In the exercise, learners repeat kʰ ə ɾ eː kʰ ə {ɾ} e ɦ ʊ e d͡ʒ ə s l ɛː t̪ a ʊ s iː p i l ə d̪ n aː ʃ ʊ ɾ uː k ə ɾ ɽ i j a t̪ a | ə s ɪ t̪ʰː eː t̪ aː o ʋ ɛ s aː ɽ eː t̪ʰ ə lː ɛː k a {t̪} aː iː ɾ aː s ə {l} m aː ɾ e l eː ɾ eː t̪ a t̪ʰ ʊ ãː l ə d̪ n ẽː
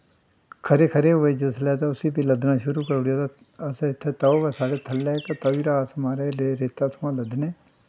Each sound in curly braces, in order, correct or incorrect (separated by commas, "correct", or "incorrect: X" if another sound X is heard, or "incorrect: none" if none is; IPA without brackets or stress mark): correct, correct, incorrect: none